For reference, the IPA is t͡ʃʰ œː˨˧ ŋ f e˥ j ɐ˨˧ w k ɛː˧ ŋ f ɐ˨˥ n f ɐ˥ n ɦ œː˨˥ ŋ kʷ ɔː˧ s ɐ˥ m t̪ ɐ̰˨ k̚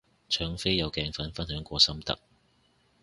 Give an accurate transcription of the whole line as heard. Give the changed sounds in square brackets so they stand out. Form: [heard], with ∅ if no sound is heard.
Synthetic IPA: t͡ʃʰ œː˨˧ ŋ f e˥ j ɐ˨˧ w k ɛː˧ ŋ f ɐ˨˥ n f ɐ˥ n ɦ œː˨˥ ŋ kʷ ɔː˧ s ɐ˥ m t̪ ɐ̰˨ k̚